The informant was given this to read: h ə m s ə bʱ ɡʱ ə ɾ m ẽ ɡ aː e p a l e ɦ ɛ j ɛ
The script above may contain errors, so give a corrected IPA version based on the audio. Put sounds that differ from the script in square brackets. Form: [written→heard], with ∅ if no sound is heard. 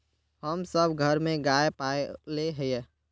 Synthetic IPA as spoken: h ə m s ə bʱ ɡʱ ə ɾ m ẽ ɡ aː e p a l e ɦ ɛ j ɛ